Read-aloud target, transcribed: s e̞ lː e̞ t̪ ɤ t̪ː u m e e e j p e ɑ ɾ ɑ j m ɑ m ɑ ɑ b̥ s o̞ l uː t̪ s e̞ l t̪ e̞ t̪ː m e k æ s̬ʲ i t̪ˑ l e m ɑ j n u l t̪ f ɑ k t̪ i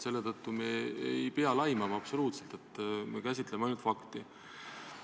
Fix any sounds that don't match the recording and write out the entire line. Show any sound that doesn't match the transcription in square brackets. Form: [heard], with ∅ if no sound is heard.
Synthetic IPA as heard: s e̞ lː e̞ t̪ ɤ t̪ː u m e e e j p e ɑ [l] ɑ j m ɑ m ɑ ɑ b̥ s o̞ l uː t̪ s e̞ l t̪ e̞ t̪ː m e k æ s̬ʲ i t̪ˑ l e m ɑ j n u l t̪ f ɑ k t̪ i

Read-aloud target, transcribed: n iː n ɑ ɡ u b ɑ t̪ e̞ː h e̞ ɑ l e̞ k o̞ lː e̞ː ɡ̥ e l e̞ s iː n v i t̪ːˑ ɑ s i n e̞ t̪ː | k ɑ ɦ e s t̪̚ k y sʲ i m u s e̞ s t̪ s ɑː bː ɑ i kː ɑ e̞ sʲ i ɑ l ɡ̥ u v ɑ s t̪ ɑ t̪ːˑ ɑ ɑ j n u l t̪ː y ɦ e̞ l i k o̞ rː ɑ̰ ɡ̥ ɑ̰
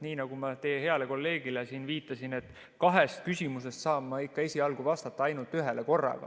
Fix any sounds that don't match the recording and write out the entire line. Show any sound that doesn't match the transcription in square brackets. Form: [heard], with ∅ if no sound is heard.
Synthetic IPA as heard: n iː n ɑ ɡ u [m] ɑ t̪ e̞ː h e̞ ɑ l e̞ k o̞ lː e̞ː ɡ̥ [i] l e̞ s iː n v [iː] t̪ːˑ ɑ s i n e̞ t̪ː | k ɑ ɦ e s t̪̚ k y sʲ i m u s e̞ s t̪ s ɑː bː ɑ i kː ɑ e̞ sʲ i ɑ l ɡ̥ u v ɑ s t̪ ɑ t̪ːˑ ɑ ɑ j n u l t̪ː y ɦ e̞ l [e] k o̞ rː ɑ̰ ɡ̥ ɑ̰

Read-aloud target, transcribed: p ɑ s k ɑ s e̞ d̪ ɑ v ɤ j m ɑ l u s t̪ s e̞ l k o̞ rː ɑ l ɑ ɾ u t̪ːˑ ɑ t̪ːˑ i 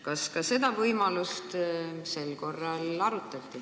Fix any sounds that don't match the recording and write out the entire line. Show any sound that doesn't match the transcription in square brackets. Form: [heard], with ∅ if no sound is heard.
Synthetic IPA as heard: [k] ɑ s k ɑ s e̞ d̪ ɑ v ɤ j m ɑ l u s t̪ s e̞ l k o̞ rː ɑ l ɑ ɾ u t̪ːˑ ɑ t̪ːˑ i

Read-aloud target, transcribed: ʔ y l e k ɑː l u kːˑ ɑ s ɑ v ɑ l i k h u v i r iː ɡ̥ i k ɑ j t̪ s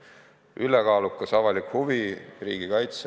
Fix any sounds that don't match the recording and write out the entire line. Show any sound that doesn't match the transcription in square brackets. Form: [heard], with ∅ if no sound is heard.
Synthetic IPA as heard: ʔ y l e k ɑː l u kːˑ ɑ s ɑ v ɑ l i k h u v i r iː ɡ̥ i k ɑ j t̪ s

